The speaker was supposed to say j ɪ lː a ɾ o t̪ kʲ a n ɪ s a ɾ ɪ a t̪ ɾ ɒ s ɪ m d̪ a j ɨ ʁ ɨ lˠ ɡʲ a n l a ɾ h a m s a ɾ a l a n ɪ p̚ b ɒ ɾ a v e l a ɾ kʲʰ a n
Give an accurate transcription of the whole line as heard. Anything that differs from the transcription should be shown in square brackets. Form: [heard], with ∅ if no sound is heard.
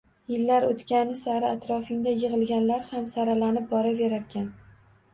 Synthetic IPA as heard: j ɪ lː a ɾ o t̪ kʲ a n ɪ s a ɾ ɪ a t̪ ɾ ɒ [f] ɪ [ŋ] d̪ a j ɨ ʁ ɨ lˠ ɡʲ a n l a ɾ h a m s a ɾ a l a n ɪ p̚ b ɒ ɾ a v e [ɾ] a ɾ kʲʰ a n